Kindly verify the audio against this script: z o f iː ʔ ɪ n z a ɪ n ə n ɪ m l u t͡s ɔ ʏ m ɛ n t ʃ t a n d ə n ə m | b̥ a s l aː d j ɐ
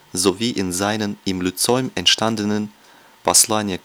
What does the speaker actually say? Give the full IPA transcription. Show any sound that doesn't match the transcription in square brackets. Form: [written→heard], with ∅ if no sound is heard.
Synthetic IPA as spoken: z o [f→v] iː ʔ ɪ n z a ɪ n ə n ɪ m l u t͡s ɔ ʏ m ɛ n t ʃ t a n d ə n ə [m→n] | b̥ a s l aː [d→n] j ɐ

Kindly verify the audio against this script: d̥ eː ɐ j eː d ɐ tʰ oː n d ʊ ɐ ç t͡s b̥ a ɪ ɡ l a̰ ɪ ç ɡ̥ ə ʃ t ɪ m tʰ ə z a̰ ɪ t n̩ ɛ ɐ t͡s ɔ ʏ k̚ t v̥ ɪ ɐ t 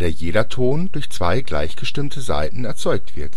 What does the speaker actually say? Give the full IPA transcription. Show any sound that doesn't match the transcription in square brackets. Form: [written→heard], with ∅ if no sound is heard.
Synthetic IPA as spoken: d̥ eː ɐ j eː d ɐ tʰ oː n d ʊ ɐ ç t͡s [b̥→v̥] a ɪ ɡ l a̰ ɪ ç ɡ̥ ə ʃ t ɪ m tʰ ə z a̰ ɪ t n̩ ɛ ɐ t͡s ɔ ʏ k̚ t v̥ ɪ ɐ t

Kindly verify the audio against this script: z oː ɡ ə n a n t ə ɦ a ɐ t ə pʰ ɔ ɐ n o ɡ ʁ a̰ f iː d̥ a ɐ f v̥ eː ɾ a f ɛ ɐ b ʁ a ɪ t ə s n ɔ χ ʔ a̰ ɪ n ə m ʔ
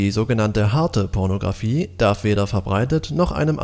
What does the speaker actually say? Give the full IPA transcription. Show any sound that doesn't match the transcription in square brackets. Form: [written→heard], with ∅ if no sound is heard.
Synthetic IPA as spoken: z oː ɡ ə n a n t ə ɦ a ɐ t ə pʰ ɔ ɐ n o ɡ ʁ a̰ f iː d̥ a ɐ f v̥ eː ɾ [a→ɐ] f ɛ ɐ b ʁ a ɪ t ə [s→t] n ɔ χ ʔ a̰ ɪ n ə m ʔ

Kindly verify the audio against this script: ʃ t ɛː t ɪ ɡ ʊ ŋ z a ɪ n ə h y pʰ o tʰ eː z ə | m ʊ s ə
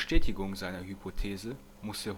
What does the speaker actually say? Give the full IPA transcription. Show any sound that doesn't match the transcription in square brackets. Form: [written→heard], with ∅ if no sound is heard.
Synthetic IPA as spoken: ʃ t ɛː t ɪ ɡ ʊ ŋ z a ɪ n [ə→ɐ] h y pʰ o tʰ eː z ə | m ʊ s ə

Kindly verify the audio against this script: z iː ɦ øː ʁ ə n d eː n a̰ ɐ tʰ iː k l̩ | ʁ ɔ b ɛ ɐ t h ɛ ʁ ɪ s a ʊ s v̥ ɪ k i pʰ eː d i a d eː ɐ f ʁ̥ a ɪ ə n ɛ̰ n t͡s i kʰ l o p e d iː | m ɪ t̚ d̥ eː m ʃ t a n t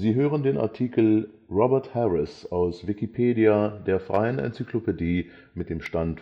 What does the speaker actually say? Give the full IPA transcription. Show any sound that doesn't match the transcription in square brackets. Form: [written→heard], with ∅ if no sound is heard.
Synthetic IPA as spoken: z iː ɦ øː ʁ ə n d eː n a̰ ɐ tʰ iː k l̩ | ʁ ɔ b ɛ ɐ t h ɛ ʁ ɪ s a ʊ s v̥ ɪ k i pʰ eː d i a d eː ɐ f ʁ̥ a ɪ ə n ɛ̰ n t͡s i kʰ l o p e d iː | m ɪ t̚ d̥ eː m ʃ t a n t

